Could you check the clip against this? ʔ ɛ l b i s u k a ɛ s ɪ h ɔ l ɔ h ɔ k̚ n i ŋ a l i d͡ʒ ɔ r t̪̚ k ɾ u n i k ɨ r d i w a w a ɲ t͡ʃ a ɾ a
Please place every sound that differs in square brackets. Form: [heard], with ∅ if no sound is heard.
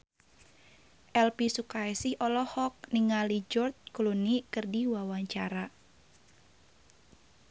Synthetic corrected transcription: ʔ ɛ l [p] i s u k a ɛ s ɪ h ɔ l ɔ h ɔ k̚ n i ŋ a l i d͡ʒ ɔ r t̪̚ k [l] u n i k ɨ r d i w a w a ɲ t͡ʃ a ɾ a